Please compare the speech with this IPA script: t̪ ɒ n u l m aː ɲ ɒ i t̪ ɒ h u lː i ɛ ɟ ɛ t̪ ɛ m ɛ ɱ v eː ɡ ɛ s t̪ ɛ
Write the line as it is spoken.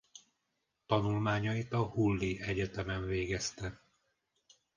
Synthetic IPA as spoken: t̪ ɒ n u l m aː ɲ ɒ i t̪ ɒ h u lː i ɛ ɟ ɛ t̪ ɛ m ɛ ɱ v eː ɡ ɛ s t̪ ɛ

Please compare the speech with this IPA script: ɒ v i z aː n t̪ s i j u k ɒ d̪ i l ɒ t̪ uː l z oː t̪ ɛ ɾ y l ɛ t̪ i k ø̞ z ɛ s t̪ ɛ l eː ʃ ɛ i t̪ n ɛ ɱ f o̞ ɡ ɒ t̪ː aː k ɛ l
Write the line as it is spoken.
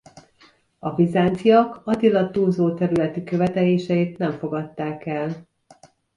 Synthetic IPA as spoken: ɒ v i z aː n t̪ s i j ɒ k ɒ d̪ i l ɒ t̪ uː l z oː t̪ ɛ ɾ y l ɛ t̪ i k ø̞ v ɛ t̪ ɛ l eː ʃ ɛ i t̪ n ɛ ɱ f o̞ ɡ ɒ t̪ː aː k ɛ l

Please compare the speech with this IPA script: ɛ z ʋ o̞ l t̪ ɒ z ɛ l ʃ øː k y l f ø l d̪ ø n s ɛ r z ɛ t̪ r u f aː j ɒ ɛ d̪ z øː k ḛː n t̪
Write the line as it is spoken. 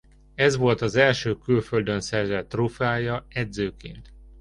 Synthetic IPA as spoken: ɛ z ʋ o̞ l t̪ ɒ z ɛ l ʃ øː k y l f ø l d̪ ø n s ɛ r z ɛ t̪ r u f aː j ɒ ɛ d̪ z øː k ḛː n t̪

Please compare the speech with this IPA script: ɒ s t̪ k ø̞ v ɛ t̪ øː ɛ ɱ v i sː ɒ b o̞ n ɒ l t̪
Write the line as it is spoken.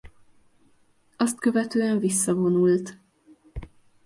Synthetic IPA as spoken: ɒ s t̪ k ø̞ v ɛ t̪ øː ɛ ɱ v i sː ɒ v o̞ n u l t̪

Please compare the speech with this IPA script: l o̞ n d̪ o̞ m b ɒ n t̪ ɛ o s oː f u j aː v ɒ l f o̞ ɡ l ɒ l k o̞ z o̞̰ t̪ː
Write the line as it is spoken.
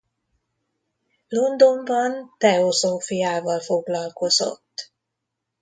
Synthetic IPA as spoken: l o̞ n d̪ o̞ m b ɒ n t̪ ɛ o z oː f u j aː v ɒ l f o̞ ɡ l ɒ l k o̞ z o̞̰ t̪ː

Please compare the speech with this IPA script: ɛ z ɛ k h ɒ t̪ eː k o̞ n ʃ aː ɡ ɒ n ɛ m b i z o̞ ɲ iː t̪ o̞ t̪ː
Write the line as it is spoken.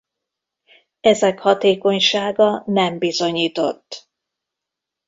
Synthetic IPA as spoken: ɛ z ɛ k h ɒ t̪ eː k o̞ ɲ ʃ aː ɡ ɒ n ɛ m b i z o̞ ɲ iː t̪ o̞ t̪ː

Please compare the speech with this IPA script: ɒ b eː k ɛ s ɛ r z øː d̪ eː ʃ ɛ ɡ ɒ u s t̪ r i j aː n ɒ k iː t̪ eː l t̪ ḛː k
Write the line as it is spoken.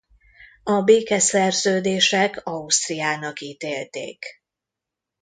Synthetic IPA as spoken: ɒ b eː k ɛ s ɛ r z øː d̪ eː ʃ ɛ k ɒ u s t̪ r i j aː n ɒ k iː t̪ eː l t̪ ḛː k

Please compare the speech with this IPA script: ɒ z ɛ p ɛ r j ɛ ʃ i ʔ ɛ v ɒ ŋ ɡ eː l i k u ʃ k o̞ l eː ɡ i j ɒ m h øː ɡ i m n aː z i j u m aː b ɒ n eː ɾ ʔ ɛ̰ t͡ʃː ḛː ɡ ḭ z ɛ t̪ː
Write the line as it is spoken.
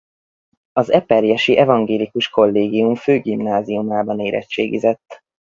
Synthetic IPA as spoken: ɒ z ɛ p ɛ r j ɛ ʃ i ʔ ɛ v ɒ ŋ ɡ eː l i k u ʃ k o̞ lː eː ɡ i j u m f øː ɡ i m n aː z i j u m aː b ɒ n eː ɾ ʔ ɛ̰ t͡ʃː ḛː ɡ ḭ z ɛ t̪ː

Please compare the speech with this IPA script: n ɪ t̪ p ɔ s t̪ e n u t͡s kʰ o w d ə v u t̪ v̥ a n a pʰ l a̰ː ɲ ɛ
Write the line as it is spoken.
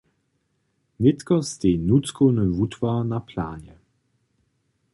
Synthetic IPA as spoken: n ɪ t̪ k ɔ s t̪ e n u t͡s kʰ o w n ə v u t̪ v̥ a n a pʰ l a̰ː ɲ ɛ

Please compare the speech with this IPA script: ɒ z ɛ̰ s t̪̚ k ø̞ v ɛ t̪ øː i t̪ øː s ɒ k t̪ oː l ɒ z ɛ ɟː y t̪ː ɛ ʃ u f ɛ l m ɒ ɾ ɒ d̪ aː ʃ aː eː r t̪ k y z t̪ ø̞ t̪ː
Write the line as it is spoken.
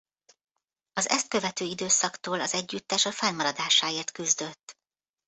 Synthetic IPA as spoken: ɒ z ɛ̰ s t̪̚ k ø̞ v ɛ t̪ øː i d̪ øː s ɒ k t̪ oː l ɒ z ɛ ɟː y t̪ː ɛ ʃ ɒ f ɛ l m ɒ ɾ ɒ d̪ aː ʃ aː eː r t̪ k y z d̪ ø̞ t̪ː

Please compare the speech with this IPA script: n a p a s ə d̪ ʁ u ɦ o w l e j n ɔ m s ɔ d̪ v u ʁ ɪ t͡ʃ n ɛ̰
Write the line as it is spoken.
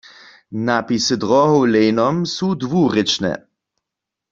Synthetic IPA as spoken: n a p i s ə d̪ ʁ ɔ ɦ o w l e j n ɔ m s u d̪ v u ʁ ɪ t͡ʃ n ɛ̰

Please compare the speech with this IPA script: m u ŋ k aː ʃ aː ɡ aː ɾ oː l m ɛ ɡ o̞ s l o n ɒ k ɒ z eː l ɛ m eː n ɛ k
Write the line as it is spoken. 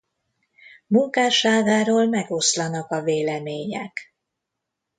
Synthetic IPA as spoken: m u ŋ k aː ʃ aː ɡ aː ɾ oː l m ɛ ɡ o̞ s l ɒ n ɒ k ɒ v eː l ɛ m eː ɲ ɛ k

